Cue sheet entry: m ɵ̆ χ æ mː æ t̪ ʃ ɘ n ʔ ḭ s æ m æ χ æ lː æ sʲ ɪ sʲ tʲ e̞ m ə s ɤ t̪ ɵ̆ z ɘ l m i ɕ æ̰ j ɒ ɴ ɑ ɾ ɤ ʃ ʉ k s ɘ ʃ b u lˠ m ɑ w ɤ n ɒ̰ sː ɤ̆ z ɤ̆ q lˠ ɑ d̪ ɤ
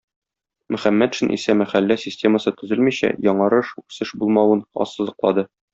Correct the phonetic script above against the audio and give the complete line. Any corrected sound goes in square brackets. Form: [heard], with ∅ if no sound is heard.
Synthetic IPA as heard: m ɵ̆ χ æ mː æ t̪ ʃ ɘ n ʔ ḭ s æ m æ χ æ lː æ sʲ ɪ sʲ tʲ e̞ m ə s ɤ t̪ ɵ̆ z ɘ l m i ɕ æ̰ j ɒ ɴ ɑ ɾ ɤ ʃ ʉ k s ɘ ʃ b u lˠ m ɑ w ɤ n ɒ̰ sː ɤ̆ z ɤ̆ q lˠ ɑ d̪ ɤ